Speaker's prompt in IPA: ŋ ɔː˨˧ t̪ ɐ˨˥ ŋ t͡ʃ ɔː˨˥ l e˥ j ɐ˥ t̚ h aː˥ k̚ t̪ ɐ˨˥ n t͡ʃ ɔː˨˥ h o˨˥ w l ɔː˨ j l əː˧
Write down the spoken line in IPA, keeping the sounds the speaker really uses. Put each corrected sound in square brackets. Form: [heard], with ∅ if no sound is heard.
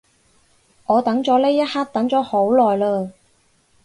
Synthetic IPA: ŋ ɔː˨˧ t̪ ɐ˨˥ ŋ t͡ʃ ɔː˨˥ l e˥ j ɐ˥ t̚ h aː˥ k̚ t̪ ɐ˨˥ [ŋ] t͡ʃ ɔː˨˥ h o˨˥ w l ɔː˨ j l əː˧